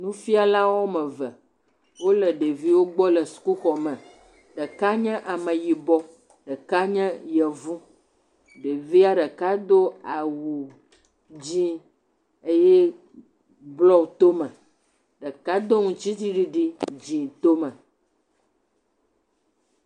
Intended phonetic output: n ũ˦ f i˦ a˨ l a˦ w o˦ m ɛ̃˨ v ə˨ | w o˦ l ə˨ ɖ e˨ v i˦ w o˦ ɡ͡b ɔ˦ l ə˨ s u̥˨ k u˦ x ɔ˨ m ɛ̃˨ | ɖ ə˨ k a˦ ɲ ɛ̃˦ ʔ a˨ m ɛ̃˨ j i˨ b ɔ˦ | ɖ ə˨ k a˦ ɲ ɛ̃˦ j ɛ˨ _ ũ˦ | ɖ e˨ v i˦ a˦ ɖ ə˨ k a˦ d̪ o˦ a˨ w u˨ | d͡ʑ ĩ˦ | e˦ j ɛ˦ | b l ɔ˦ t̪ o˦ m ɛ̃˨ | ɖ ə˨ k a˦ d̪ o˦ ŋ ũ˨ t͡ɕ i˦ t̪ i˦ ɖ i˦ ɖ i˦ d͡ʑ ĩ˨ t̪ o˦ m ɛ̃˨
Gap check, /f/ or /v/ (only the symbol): v